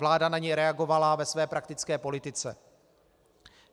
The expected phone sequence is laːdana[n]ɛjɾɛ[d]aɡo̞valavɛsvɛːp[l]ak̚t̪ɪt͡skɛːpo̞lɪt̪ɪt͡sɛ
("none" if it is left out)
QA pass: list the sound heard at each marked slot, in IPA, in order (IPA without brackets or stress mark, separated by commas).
ɲ, none, ɾ